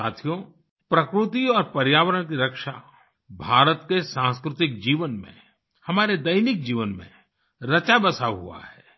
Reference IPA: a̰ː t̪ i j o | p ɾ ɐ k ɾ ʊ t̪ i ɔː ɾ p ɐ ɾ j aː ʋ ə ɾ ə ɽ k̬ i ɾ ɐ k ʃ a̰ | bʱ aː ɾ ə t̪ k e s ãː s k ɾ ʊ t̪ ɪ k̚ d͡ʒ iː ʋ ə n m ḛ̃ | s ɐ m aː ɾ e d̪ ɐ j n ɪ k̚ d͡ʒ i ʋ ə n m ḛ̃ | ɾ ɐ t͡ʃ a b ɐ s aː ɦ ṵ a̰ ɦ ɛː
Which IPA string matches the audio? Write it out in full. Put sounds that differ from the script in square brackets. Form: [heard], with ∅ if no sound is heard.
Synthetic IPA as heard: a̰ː [t̪ʰ] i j o | p ɾ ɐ k ɾ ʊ t̪ i ɔː ɾ p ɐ ɾ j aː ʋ ə ɾ ə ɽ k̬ i ɾ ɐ k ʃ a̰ | bʱ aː ɾ ə t̪ k e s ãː s k ɾ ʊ t̪ ɪ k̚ d͡ʒ iː ʋ ə n m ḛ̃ | [h] ɐ m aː ɾ e d̪ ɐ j n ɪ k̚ d͡ʒ [iː] ʋ ə n m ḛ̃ | ɾ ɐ t͡ʃ a b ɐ s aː ɦ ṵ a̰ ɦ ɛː

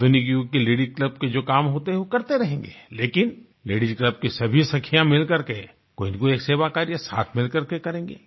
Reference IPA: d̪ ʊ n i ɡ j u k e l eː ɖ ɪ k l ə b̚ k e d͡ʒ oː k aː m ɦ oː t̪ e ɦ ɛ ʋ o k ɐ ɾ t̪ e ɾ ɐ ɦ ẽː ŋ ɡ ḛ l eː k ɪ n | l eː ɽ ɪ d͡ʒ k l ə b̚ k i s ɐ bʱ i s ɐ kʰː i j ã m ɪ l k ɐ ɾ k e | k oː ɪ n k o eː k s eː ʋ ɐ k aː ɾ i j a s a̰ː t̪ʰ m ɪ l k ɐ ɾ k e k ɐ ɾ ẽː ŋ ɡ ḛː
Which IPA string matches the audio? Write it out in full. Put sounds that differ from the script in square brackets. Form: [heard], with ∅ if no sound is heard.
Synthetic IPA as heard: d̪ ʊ n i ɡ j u k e l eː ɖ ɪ k l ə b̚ k e d͡ʒ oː k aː m ɦ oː t̪ e ɦ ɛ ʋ o k ɐ ɾ t̪ e ɾ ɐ ɦ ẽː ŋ ɡ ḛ l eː k ɪ n | l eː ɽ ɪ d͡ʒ k l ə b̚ k i s ɐ bʱ i s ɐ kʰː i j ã m ɪ l k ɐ ɾ k e | k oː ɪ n k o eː k s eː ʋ [a] k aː ɾ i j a s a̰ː t̪ʰ m ɪ l k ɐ ɾ k e k ɐ ɾ ẽː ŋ ɡ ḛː

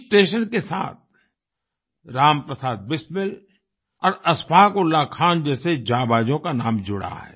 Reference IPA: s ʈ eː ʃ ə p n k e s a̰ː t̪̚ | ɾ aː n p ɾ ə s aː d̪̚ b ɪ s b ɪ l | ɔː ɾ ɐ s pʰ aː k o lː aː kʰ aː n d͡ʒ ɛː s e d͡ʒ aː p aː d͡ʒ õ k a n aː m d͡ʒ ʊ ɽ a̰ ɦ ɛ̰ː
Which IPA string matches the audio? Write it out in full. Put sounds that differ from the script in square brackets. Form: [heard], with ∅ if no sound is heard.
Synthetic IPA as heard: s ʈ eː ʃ ə [∅] n k e s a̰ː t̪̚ | ɾ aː [m] p ɾ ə s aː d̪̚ b ɪ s [m] ɪ l | ɔː ɾ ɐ s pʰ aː k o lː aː kʰ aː n d͡ʒ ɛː s e d͡ʒ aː [b] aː d͡ʒ õ k a n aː m d͡ʒ ʊ ɽ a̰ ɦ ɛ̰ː

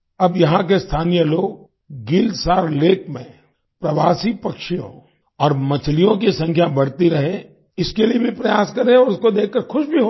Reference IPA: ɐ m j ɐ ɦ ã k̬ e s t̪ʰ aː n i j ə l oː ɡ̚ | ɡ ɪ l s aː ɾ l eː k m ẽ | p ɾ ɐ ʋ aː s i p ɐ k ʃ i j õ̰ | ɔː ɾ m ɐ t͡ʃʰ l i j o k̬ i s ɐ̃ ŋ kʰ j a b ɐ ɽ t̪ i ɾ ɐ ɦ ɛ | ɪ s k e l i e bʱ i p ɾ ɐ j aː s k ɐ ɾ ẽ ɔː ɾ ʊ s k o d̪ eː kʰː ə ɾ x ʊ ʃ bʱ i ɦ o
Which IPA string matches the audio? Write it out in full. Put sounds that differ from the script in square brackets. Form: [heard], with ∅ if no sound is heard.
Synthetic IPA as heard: ɐ [b] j ɐ ɦ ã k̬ e s t̪ʰ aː n i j ə l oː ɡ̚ | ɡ ɪ l s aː ɾ l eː k m ẽ | p ɾ ɐ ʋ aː s i p ɐ k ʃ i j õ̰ | ɔː ɾ m ɐ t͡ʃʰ l i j [õ] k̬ i s ɐ̃ ŋ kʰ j a b ɐ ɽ t̪ i ɾ ɐ ɦ [e] | ɪ s k e l i e bʱ i p ɾ ɐ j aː s k ɐ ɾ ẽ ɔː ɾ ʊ s k o d̪ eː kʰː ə ɾ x ʊ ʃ bʱ i ɦ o

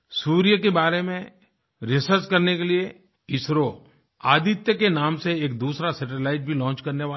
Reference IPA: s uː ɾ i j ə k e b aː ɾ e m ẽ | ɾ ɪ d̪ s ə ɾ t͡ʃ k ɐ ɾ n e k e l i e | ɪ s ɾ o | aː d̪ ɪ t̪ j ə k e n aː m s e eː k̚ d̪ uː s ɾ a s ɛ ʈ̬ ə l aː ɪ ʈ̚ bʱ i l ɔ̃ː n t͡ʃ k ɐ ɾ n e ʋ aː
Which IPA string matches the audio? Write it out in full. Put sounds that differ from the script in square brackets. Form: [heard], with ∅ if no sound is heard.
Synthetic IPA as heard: s uː ɾ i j ə k e b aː ɾ e m ẽ | ɾ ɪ [∅] s ə ɾ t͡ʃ k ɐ ɾ n e k e l i e | ɪ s ɾ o | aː d̪ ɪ t̪ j ə k e n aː m s e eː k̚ d̪ uː s ɾ a s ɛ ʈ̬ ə l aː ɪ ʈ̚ bʱ i l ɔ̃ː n t͡ʃ k ɐ ɾ n e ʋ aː

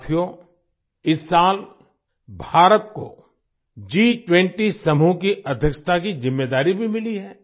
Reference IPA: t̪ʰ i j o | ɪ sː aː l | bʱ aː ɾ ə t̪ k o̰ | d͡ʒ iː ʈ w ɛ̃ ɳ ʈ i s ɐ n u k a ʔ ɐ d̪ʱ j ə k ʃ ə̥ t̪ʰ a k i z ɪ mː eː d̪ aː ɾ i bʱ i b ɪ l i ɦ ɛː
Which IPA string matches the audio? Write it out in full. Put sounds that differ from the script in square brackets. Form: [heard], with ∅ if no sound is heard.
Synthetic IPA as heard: t̪ʰ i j o | ɪ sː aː l | bʱ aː ɾ ə t̪ k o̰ | d͡ʒ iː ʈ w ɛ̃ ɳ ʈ i s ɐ [m] u k [i] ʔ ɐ d̪ʱ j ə k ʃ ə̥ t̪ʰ a k i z ɪ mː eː d̪ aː ɾ i bʱ i [m] ɪ l i ɦ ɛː

